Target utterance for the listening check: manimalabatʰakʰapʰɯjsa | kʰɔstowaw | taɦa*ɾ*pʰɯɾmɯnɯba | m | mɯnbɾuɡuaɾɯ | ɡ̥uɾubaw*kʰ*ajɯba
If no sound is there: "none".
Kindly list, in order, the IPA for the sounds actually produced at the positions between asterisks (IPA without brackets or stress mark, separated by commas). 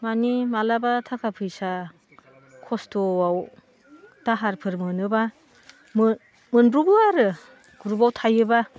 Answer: ɾ, tʰ